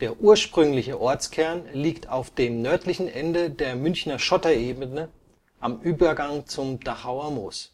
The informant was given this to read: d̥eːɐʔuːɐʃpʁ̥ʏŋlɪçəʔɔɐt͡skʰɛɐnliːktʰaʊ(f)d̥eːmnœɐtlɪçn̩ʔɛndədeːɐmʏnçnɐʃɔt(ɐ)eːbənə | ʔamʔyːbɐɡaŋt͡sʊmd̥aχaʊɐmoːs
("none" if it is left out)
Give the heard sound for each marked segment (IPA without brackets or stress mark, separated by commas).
f, ɐ